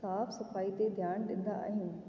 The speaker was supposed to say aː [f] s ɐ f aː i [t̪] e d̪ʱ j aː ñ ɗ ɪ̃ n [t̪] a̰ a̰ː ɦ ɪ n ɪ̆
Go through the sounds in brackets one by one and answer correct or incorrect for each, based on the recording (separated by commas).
correct, correct, incorrect